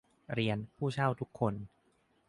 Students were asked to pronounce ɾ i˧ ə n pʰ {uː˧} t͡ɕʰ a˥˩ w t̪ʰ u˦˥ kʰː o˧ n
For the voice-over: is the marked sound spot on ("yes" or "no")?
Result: no